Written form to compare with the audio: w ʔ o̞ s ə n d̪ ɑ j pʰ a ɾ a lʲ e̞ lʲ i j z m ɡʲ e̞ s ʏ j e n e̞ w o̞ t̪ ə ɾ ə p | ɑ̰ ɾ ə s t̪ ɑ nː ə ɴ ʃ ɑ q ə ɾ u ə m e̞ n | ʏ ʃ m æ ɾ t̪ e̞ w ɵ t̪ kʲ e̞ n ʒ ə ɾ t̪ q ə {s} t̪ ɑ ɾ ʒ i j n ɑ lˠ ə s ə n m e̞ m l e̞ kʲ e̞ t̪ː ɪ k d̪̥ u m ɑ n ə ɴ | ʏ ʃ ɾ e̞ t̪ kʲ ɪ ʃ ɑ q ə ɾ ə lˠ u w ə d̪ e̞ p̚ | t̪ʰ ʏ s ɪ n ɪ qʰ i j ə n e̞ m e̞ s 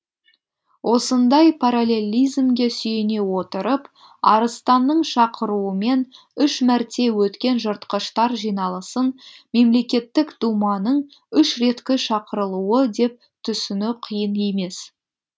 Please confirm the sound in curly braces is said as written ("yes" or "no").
no